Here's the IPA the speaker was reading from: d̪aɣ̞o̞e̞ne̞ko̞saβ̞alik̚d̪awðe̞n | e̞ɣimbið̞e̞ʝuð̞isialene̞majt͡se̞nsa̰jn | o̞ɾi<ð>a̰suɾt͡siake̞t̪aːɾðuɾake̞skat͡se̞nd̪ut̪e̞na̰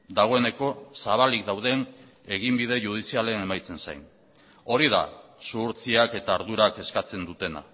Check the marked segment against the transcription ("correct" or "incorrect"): correct